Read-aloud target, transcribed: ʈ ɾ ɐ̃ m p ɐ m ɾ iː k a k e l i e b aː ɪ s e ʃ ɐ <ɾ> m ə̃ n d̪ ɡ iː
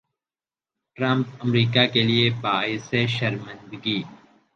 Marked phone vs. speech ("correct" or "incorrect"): correct